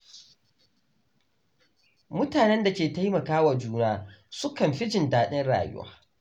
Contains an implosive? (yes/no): yes